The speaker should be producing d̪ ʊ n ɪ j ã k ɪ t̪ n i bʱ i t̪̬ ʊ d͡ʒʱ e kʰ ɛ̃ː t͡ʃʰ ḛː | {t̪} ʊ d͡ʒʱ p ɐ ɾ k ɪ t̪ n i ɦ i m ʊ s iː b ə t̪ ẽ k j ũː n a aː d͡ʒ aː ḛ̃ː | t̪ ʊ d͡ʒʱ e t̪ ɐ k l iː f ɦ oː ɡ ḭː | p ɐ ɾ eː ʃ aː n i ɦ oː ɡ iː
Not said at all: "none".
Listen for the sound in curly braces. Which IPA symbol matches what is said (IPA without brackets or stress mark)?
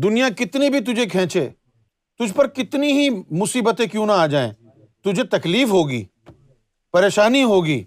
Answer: t̪